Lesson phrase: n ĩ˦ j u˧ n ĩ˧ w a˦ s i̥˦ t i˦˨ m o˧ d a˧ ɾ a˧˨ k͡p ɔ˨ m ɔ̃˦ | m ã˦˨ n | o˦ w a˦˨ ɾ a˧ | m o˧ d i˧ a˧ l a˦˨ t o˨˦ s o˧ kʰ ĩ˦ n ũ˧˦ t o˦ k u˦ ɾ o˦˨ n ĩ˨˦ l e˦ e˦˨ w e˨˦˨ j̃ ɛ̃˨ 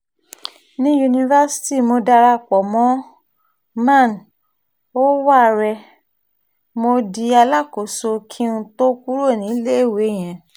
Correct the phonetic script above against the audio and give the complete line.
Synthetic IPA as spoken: n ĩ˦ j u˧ n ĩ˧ v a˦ s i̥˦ t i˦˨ m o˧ d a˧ ɾ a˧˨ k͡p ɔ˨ m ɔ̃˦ | m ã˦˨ n | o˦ w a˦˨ ɾ ɛ˧ | m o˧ d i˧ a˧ l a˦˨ k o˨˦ s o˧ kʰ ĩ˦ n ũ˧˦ t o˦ k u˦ ɾ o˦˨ n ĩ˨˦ l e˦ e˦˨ w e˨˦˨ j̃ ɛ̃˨

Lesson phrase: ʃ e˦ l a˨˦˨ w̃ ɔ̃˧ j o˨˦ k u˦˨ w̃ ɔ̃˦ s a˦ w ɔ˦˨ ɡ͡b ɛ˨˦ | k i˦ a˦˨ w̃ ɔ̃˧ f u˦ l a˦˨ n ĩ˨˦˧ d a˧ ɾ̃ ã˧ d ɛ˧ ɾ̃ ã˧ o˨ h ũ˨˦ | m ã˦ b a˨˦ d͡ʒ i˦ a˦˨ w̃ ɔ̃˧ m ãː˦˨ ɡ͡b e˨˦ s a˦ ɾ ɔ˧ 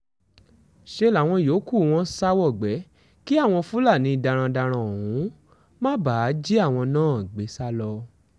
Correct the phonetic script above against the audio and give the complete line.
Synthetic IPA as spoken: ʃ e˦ l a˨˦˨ w̃ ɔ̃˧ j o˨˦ k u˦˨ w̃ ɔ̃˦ s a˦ w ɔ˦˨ ɡ͡b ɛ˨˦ | k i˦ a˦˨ w̃ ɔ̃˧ f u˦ l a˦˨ n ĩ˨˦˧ d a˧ ɾ̃ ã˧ d a˧ ɾ̃ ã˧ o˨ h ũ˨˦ | m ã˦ b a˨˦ d͡ʒ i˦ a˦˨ w̃ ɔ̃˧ n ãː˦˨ ɡ͡b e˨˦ s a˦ l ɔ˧

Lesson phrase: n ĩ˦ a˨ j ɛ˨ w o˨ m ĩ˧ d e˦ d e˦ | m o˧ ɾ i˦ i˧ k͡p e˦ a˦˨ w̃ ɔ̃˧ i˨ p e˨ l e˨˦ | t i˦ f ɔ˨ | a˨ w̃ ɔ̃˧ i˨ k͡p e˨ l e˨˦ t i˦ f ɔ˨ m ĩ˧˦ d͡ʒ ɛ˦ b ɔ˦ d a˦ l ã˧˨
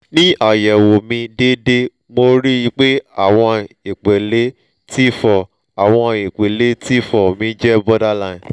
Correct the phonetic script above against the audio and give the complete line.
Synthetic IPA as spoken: n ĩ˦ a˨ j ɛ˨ w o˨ m ĩ˧ d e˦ d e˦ | m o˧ ɾ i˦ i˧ k͡p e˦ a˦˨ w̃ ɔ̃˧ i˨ k͡p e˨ l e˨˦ | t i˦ f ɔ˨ | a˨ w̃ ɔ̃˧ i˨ k͡p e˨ l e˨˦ t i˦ f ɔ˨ m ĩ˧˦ d͡ʒ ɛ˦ b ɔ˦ d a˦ l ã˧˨

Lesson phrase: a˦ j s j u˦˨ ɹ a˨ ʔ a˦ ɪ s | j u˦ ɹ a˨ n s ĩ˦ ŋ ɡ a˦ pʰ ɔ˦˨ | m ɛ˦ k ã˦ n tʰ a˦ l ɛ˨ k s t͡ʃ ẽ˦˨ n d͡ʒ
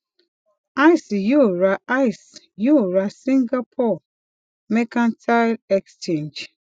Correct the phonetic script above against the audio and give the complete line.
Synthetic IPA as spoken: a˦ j s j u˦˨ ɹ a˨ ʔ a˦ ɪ s | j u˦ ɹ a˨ s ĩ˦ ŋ ɡ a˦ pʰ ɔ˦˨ | m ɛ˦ k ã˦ n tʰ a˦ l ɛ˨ k s t͡ʃ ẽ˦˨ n d͡ʒ

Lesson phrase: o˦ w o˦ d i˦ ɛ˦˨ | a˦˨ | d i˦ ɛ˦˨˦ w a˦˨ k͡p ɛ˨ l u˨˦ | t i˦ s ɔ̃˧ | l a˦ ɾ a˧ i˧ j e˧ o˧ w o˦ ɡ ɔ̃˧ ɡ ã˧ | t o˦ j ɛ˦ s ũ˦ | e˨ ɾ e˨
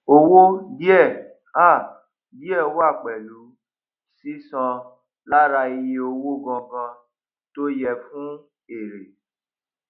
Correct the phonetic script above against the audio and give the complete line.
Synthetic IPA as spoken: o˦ w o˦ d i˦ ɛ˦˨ | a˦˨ | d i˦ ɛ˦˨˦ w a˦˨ k͡p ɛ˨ l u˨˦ | s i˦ s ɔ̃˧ | l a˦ ɾ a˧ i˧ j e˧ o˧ w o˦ ɡ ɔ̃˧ ɡ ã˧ | t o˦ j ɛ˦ f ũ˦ | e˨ ɾ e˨

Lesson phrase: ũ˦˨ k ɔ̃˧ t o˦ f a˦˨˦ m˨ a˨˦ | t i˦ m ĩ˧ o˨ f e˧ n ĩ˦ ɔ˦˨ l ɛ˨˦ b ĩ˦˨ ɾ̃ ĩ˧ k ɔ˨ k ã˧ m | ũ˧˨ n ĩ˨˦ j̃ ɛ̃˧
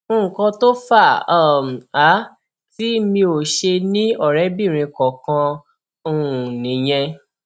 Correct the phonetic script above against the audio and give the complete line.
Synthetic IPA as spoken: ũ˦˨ k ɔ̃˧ t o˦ f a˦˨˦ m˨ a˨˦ | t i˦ m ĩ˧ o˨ ʃ e˧ n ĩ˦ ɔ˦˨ ɾ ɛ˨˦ b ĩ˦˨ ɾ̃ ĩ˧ k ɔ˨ k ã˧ | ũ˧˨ n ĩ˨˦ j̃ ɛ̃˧

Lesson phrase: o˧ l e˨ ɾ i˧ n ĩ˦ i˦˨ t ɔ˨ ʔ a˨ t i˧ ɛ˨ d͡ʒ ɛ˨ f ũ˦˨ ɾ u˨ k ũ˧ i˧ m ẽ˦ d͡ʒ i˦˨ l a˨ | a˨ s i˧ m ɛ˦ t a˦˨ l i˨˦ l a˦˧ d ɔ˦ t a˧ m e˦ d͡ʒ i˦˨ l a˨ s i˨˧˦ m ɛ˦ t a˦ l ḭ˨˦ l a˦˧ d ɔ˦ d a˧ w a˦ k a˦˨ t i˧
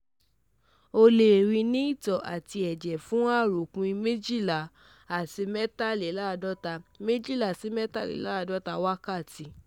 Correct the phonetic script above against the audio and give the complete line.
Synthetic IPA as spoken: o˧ l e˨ ɾ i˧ n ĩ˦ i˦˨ t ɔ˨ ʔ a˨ t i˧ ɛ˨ d͡ʒ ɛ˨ f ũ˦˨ ɾ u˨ k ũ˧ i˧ m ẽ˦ d͡ʒ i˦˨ l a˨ | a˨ s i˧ m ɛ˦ t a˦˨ l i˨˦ l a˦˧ d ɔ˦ t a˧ m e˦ d͡ʒ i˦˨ l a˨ s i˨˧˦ m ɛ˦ t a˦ l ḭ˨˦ l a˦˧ d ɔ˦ t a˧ w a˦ k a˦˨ t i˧

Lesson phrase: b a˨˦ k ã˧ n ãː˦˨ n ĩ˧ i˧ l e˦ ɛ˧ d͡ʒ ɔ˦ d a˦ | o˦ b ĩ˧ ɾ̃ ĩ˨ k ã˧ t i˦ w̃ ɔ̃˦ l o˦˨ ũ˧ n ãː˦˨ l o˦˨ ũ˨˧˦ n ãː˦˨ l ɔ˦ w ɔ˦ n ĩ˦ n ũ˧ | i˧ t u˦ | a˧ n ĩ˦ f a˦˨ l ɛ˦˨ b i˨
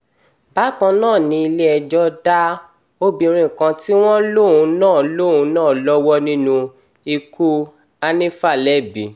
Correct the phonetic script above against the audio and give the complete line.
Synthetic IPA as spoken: b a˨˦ k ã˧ n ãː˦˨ n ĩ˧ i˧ l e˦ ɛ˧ d͡ʒ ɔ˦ d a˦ | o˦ b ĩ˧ ɾ̃ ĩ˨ k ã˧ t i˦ w̃ ɔ̃˦ l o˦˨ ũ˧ n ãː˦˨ l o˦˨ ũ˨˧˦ n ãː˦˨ l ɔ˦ w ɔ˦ n ĩ˦ n ũ˧ | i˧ k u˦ | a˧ n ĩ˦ f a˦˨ l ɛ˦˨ b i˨

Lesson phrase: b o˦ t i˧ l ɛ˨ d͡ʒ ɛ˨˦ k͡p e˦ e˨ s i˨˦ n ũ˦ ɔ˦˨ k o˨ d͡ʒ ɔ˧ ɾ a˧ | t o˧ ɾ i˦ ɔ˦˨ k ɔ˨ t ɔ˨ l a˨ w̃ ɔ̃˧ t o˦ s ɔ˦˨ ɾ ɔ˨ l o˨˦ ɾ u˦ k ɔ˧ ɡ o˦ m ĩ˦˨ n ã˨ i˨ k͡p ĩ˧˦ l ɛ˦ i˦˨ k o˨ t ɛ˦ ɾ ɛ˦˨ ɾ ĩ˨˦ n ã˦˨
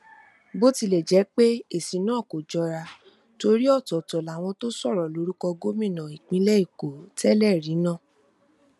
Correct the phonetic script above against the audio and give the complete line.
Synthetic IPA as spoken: b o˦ t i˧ l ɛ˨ d͡ʒ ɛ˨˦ k͡p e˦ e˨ s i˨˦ n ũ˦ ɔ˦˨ k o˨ d͡ʒ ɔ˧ ɾ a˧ | t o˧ ɾ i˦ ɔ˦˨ t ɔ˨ t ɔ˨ l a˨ w̃ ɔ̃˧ t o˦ s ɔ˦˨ ɾ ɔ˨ l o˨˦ ɾ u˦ k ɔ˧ ɡ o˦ m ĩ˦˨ n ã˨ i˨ k͡p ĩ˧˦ l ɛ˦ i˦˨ k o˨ t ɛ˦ l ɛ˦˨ ɾ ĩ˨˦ n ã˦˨

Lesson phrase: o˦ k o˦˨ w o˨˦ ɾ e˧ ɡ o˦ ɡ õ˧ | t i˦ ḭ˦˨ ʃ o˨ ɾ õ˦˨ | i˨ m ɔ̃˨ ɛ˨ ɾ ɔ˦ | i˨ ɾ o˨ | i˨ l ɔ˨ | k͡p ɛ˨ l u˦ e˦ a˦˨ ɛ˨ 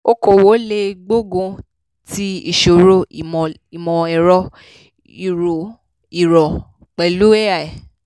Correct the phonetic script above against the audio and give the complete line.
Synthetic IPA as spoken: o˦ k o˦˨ w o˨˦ l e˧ ɡ͡b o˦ ɡ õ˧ | t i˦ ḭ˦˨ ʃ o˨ ɾ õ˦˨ | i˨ m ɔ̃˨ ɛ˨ ɾ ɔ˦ | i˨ ɾ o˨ | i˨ ɾ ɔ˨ | k͡p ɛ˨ l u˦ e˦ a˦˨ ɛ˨

